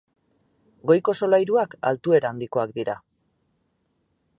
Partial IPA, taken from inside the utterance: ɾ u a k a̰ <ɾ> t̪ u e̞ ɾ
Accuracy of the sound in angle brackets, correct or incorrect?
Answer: incorrect